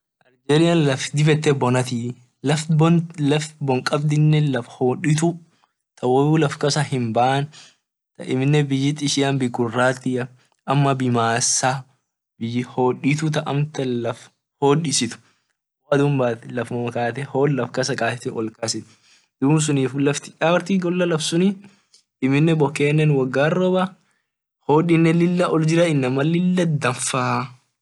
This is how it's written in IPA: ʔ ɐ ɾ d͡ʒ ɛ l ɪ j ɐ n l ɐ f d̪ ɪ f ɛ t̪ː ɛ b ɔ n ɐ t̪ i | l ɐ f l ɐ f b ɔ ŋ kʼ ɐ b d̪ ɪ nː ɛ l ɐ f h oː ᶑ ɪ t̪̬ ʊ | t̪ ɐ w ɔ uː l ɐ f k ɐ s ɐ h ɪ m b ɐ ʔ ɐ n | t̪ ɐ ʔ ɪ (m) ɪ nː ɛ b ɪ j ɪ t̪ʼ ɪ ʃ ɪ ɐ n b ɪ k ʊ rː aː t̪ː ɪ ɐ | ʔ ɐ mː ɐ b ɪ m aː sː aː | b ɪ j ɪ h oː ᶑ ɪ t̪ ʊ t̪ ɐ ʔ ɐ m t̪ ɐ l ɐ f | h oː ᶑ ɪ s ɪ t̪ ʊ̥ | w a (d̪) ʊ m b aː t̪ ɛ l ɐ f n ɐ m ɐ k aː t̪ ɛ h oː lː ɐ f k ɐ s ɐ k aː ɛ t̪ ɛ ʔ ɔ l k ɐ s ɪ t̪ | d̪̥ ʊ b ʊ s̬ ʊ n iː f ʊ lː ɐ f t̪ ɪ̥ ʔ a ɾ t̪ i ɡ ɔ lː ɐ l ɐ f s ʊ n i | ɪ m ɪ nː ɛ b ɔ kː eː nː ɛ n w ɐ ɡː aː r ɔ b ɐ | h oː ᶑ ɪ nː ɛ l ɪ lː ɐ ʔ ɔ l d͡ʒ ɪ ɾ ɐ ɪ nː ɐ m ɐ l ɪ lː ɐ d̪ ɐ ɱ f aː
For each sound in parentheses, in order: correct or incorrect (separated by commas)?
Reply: correct, correct